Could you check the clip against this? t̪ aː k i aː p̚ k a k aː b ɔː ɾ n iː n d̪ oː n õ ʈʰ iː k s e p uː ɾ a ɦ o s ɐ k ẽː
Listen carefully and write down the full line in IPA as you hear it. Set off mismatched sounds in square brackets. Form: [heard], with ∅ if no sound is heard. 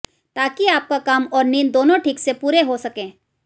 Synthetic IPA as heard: t̪ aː k i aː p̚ k a k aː [m] ɔː ɾ n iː n d̪ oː n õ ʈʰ iː k s e p uː ɾ [e] ɦ o s ɐ k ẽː